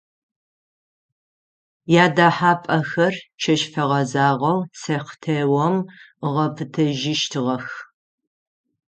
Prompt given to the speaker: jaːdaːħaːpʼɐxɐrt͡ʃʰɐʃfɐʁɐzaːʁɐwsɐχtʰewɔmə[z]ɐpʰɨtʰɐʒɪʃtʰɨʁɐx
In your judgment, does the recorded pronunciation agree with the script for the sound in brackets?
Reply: no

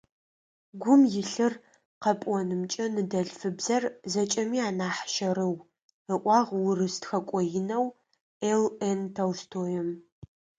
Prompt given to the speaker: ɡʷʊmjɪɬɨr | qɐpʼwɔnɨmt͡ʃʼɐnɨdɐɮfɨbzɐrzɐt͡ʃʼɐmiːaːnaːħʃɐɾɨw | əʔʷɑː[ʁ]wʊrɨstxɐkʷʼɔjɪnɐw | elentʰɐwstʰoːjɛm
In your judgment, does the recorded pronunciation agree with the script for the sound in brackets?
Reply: yes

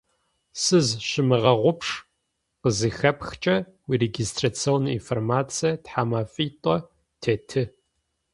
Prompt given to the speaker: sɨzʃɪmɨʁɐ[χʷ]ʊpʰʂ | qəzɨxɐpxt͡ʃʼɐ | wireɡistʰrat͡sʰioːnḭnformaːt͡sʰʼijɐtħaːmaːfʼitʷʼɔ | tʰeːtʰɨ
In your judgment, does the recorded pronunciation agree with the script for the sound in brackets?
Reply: no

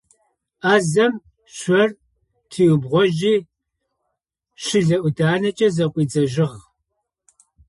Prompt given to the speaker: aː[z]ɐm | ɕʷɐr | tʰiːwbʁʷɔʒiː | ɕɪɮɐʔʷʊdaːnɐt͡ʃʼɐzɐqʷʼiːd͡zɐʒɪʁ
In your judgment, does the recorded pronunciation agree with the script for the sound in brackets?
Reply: yes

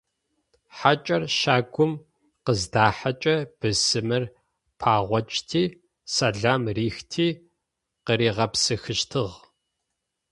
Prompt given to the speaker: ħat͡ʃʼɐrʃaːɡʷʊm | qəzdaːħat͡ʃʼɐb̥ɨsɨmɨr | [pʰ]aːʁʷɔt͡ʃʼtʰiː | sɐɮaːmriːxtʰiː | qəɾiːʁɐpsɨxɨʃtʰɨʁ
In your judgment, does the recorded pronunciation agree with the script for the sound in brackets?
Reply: yes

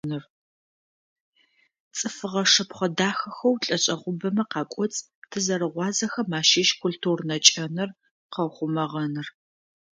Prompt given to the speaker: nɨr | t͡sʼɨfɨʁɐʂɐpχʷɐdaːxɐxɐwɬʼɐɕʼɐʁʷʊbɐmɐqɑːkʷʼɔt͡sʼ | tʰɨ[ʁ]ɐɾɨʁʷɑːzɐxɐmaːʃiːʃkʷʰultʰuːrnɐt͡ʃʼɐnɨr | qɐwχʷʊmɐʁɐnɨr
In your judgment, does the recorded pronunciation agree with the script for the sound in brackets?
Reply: no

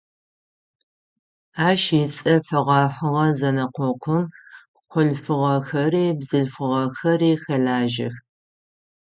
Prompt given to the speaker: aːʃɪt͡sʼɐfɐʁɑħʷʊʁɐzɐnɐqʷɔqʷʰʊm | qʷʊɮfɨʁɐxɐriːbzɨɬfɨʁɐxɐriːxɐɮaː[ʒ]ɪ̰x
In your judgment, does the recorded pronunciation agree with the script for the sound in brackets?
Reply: yes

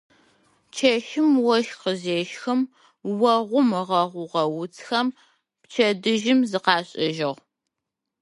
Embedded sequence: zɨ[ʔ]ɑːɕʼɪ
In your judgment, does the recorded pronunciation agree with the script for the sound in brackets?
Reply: no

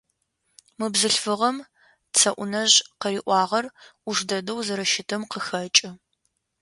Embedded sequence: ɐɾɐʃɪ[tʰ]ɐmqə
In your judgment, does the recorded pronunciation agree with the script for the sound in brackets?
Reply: yes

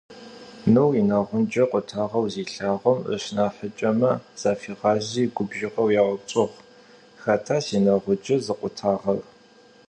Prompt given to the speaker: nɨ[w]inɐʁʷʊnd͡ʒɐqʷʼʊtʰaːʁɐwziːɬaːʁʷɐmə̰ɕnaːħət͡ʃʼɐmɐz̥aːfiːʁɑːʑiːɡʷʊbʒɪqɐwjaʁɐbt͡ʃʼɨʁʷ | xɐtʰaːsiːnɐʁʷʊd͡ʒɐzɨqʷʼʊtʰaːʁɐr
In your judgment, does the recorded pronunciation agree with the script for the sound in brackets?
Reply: yes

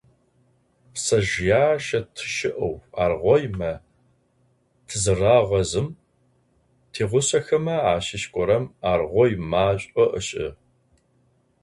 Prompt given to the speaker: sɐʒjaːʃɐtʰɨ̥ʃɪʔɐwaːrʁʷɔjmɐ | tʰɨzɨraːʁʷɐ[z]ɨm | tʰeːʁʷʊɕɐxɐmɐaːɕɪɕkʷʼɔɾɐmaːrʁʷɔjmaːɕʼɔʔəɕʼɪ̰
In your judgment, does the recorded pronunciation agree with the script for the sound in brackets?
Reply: yes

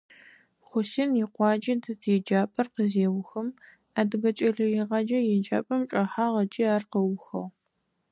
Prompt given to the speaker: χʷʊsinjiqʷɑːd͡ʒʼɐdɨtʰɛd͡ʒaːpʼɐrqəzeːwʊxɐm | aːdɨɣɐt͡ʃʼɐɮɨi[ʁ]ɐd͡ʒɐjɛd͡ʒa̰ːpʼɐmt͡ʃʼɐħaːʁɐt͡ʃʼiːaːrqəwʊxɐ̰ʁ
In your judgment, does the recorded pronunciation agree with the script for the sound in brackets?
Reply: yes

